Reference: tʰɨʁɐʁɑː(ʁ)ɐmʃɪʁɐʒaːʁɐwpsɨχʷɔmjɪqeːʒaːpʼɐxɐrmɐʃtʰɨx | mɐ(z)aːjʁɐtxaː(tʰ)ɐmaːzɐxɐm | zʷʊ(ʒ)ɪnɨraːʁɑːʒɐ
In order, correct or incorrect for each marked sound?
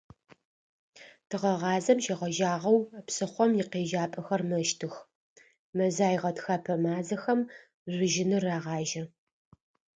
incorrect: z, correct, incorrect: pʰ, correct

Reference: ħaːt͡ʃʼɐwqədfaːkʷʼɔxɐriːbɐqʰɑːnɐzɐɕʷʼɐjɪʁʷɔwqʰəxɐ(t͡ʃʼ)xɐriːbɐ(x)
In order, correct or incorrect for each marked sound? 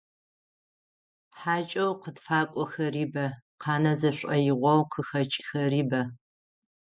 correct, incorrect: none

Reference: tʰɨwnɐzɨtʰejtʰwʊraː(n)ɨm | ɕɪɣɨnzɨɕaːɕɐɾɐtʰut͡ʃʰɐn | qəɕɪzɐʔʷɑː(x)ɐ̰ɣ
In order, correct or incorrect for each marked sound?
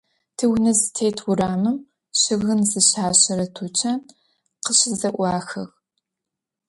incorrect: m, correct

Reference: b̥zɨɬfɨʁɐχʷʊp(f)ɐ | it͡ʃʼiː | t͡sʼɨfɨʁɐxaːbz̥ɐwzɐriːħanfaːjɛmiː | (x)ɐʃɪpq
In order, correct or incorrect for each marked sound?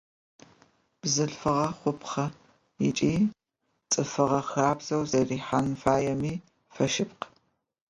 incorrect: χ, incorrect: f

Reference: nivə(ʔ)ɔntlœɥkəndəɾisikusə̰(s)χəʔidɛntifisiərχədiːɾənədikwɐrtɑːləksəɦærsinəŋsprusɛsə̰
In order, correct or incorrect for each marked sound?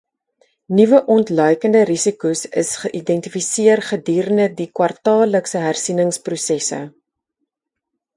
correct, correct

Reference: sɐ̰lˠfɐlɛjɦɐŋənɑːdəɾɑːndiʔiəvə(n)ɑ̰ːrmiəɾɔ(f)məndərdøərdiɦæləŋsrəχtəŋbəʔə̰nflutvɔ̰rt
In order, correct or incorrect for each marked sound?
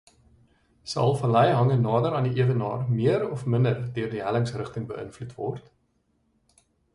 correct, correct

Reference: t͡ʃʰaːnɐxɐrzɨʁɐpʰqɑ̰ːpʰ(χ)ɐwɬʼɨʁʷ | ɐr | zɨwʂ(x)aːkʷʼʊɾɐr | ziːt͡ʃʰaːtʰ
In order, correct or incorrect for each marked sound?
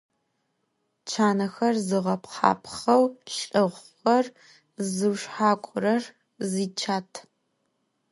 correct, incorrect: ħ

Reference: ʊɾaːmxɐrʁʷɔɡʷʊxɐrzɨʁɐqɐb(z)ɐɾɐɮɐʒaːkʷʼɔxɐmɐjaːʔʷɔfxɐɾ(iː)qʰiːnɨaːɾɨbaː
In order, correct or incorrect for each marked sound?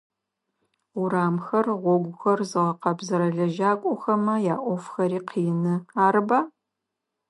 correct, correct

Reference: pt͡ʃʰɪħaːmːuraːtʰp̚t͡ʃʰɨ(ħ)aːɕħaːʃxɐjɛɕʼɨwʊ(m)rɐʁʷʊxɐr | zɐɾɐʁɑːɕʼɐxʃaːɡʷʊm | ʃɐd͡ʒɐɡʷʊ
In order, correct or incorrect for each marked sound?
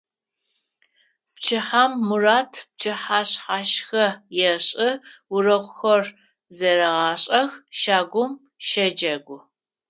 correct, incorrect: none

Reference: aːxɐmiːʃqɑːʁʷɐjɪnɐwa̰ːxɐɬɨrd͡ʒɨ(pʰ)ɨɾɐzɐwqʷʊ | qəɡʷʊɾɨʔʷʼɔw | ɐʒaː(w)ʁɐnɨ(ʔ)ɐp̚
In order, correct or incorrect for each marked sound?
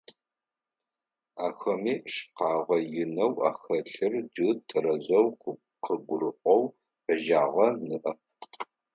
incorrect: tʰ, incorrect: none, correct

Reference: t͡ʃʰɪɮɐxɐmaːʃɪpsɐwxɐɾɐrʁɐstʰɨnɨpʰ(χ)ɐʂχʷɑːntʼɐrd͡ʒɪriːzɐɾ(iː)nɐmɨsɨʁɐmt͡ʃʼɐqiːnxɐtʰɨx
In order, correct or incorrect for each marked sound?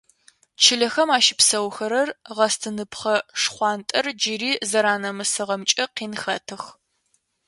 correct, incorrect: aː

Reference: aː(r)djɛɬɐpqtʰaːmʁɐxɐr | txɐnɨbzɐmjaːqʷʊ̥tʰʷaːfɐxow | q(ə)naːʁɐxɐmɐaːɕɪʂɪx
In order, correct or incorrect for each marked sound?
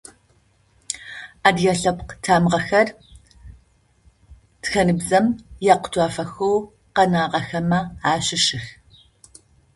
incorrect: none, incorrect: ɐ

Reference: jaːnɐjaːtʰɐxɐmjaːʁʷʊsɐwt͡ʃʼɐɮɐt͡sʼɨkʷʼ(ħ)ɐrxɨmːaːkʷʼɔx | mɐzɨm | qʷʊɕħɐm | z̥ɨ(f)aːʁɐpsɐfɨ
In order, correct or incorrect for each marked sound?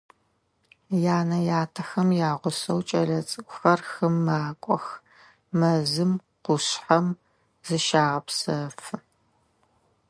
incorrect: x, incorrect: ʃ

